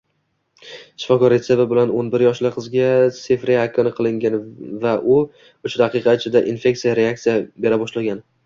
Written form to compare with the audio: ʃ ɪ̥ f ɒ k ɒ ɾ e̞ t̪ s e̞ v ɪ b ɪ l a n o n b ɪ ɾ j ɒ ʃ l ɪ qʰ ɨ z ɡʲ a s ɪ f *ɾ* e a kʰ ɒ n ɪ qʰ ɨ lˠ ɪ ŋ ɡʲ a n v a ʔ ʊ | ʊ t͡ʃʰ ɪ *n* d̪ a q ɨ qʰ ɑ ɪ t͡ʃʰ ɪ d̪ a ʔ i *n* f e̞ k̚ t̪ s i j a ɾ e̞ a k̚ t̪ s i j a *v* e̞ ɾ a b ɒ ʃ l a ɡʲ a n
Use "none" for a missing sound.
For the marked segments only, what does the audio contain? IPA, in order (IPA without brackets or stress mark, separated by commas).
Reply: ɾ, none, n, b